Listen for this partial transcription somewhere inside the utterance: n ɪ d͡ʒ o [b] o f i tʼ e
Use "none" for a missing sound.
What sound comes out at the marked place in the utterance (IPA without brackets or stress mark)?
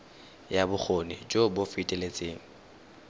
b